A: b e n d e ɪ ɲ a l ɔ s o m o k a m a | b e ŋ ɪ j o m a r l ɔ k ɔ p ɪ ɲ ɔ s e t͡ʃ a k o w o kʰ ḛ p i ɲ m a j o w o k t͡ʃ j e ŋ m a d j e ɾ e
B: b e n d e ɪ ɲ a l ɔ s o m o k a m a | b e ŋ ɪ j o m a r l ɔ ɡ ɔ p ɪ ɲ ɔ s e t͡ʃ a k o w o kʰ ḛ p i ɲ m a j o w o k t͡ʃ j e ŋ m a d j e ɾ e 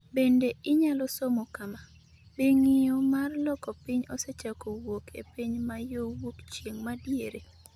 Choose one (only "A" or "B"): A